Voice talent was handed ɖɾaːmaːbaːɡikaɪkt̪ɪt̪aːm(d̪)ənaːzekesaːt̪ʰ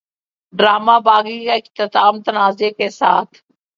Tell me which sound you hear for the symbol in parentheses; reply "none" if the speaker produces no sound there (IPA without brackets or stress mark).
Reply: t̪